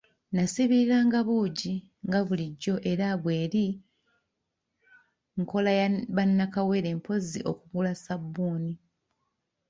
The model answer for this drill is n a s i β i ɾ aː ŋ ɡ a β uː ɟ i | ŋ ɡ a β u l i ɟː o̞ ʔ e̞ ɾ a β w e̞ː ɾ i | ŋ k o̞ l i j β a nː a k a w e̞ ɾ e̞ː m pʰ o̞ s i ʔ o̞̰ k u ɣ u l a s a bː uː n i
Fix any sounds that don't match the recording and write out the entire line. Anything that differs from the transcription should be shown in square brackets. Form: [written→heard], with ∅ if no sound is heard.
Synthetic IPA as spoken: n a s i β i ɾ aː ŋ ɡ a β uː ɟ i | ŋ ɡ a β u l i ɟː o̞ ʔ e̞ ɾ a β w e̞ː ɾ i | ŋ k o̞ l [i→a] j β a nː a k a w e̞ ɾ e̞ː m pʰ o̞ [s→z] i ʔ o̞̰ k u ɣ u l a s a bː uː n i